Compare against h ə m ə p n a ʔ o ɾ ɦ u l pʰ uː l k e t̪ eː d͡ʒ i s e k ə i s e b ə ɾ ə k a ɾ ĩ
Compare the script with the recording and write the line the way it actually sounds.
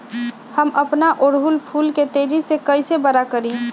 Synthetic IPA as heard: h ə m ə p n a ʔ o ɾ ɦ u l pʰ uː l k e t̪ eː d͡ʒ i s e k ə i s e b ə ɾ a k ə ɾ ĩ